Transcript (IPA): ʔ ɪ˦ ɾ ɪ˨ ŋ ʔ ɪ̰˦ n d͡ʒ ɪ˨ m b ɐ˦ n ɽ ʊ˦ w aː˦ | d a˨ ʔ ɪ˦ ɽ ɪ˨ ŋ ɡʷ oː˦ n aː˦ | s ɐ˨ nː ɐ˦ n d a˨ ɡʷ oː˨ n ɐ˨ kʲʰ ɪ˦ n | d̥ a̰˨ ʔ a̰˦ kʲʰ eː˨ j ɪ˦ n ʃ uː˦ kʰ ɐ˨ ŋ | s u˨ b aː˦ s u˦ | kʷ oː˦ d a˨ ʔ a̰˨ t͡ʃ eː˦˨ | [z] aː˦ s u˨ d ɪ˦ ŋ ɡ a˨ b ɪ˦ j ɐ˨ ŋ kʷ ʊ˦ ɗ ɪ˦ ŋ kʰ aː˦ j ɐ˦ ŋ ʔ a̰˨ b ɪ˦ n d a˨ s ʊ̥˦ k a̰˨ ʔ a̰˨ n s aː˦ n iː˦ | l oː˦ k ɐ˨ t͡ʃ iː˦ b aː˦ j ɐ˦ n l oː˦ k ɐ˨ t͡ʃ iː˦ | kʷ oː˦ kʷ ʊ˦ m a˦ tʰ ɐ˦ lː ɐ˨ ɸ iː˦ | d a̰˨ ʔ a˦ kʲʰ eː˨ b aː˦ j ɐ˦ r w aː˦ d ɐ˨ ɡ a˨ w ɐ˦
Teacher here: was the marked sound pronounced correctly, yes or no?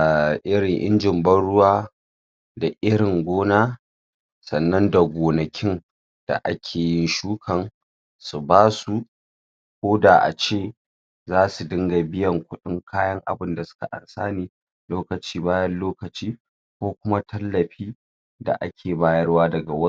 yes